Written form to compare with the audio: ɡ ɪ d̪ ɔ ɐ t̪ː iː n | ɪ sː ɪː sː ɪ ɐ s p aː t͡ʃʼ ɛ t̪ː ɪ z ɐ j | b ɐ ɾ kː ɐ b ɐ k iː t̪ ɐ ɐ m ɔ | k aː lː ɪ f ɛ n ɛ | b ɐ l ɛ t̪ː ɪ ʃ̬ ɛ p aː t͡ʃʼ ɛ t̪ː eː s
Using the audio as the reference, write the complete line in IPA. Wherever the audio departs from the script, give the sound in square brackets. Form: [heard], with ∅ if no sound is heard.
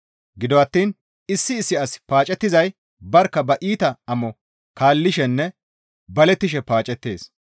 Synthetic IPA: ɡ ɪ d̪ ɔ ɐ t̪ː iː n | ɪ sː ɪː sː ɪ ɐ s p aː t͡ʃʼ ɛ t̪ː ɪ z ɐ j | b ɐ ɾ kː ɐ b ɐ [ʔ] iː t̪ ɐ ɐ m ɔ | k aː lː ɪ [ʃ] ɛ [nː] ɛ | b ɐ l ɛ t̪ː ɪ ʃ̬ ɛ p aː t͡ʃʼ ɛ t̪ː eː s